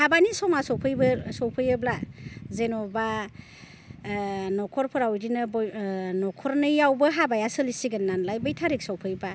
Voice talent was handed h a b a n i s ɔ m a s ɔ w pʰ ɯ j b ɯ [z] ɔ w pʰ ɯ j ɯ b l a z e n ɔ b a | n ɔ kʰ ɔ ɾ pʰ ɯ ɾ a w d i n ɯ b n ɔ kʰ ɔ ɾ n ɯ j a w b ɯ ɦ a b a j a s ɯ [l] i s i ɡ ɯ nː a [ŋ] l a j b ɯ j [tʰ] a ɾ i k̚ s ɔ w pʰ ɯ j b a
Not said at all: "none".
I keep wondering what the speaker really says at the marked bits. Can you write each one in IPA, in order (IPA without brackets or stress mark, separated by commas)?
s, l, n, tʰ